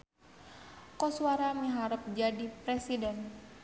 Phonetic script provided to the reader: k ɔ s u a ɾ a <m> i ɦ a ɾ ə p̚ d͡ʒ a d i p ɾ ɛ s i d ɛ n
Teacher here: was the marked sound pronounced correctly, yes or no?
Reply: yes